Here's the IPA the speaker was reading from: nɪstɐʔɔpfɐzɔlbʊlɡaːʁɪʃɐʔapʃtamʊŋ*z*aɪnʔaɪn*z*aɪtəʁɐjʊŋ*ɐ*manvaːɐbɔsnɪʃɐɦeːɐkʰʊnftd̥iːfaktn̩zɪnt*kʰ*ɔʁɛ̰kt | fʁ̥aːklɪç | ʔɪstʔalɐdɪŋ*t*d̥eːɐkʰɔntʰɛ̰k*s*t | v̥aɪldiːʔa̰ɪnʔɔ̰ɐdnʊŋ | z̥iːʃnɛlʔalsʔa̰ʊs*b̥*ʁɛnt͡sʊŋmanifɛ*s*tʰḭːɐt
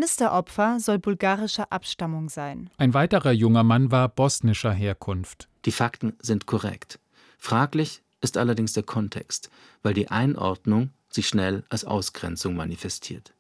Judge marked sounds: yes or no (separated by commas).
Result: yes, no, yes, yes, no, yes, no, yes